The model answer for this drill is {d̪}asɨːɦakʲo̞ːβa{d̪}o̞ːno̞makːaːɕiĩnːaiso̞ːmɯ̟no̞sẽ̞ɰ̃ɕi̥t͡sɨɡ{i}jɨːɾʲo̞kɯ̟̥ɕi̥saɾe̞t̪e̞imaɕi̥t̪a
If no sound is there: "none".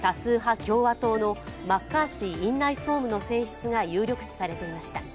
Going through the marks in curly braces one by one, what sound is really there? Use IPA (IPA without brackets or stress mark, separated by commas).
t̪, t̪, a